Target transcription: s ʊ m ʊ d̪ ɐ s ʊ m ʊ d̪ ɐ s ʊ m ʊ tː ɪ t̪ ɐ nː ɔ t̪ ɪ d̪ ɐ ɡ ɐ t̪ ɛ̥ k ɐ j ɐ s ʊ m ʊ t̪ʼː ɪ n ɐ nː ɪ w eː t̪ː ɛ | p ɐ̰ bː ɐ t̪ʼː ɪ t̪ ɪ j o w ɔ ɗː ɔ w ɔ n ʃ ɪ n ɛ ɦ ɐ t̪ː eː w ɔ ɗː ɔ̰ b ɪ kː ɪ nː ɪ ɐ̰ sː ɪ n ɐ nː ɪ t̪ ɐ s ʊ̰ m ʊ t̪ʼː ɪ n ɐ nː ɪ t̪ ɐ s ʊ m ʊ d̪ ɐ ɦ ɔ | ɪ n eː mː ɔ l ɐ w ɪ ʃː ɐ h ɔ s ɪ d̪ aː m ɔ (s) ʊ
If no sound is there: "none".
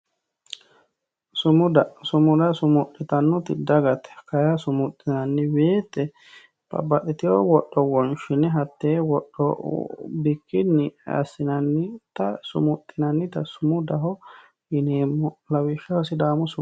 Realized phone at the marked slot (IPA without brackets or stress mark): s